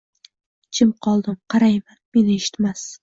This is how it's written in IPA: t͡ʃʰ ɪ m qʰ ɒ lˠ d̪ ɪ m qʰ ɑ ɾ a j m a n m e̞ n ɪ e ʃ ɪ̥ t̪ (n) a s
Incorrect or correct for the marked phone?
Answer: incorrect: m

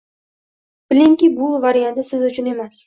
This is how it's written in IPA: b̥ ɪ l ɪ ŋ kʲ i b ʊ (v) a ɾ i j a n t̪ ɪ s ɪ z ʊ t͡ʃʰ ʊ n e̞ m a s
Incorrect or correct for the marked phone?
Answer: correct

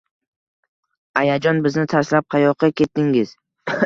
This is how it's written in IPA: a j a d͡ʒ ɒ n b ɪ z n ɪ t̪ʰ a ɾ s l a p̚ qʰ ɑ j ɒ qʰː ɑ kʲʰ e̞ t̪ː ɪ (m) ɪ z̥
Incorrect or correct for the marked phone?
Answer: incorrect: ŋ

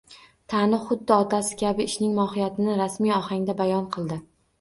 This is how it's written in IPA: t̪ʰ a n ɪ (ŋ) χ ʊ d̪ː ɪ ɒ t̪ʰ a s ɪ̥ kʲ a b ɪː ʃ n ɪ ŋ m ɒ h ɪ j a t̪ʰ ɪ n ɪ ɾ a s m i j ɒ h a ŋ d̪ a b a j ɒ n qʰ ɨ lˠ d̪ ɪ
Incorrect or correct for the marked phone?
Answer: incorrect: none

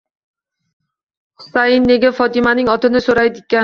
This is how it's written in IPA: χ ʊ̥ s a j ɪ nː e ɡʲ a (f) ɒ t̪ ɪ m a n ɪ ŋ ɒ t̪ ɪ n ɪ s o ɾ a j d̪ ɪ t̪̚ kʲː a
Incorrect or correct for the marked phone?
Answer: correct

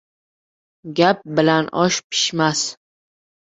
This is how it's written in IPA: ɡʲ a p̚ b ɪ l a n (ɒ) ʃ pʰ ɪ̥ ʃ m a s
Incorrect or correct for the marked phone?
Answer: correct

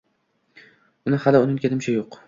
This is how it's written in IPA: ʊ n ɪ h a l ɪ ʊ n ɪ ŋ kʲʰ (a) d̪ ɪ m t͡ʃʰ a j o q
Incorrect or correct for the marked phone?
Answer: incorrect: e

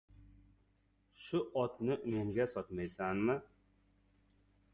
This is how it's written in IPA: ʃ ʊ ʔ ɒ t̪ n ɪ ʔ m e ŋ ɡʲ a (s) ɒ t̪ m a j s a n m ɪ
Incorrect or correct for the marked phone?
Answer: correct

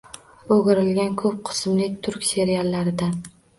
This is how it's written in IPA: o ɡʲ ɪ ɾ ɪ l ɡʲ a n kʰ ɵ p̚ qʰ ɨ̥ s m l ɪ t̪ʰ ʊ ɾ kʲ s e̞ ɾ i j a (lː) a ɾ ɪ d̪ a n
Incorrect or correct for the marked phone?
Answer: correct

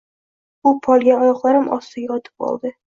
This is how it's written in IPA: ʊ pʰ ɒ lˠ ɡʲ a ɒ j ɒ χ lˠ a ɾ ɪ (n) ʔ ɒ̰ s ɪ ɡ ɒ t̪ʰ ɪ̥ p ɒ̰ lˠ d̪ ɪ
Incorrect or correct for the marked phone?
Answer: incorrect: m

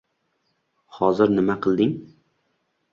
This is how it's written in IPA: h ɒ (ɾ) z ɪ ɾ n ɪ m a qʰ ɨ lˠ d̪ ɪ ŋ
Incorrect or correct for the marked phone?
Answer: incorrect: none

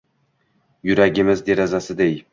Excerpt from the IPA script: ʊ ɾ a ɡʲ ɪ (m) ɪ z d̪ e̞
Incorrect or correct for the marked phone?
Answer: correct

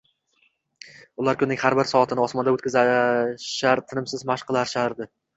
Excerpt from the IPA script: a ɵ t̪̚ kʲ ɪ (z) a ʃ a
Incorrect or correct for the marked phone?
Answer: correct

